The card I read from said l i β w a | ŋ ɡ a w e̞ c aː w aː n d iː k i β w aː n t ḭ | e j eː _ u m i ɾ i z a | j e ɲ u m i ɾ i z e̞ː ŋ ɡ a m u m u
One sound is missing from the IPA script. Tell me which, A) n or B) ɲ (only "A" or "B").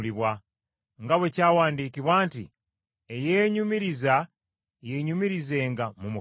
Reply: B